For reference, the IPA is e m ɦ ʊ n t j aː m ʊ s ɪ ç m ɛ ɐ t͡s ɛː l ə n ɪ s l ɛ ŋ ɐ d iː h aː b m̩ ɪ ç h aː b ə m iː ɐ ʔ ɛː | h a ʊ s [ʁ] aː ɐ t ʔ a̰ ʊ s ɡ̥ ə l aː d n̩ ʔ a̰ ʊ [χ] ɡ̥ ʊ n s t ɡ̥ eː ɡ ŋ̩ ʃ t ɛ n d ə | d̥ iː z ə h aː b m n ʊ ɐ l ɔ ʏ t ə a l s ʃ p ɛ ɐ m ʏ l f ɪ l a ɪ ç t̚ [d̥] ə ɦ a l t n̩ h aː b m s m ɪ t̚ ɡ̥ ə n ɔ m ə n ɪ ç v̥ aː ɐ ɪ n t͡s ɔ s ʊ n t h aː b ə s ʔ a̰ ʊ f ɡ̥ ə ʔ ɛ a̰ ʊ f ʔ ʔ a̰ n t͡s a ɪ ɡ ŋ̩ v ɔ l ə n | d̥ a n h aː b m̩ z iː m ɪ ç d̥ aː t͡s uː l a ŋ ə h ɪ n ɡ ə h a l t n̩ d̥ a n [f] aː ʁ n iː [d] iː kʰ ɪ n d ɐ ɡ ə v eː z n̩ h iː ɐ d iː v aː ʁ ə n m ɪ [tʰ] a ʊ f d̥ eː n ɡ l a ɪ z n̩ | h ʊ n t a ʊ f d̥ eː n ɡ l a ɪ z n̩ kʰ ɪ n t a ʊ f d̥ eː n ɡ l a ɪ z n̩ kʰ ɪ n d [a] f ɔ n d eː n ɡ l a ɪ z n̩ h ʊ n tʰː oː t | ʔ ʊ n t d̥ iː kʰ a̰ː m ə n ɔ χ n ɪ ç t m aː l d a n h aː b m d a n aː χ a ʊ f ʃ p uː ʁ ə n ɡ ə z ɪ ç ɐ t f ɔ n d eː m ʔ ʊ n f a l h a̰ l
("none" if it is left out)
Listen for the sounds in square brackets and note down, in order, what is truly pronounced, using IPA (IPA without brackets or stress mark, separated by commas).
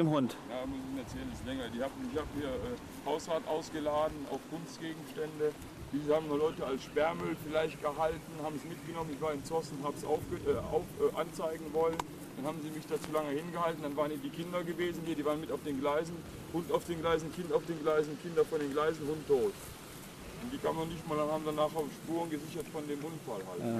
ʁ, f, ɡ̥, v, d, t, ɐ